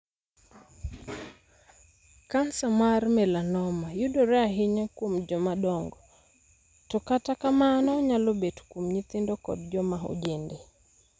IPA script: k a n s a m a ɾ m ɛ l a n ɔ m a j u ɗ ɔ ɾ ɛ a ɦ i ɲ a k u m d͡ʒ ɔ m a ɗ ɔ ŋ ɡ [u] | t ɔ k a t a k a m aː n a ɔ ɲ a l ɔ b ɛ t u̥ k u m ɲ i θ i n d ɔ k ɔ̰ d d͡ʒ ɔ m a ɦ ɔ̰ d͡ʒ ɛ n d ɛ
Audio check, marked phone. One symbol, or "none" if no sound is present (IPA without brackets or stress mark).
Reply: ɔ